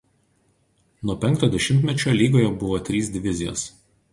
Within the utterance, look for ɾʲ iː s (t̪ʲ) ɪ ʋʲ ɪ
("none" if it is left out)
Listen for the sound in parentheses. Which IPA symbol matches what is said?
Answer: d̪ʲ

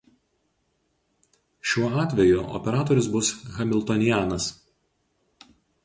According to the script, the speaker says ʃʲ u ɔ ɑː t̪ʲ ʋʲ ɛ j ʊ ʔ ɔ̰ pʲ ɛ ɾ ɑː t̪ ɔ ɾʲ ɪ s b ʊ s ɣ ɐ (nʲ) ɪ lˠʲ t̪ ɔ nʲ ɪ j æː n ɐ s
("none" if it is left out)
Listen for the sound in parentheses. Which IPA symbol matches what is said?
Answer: mʲ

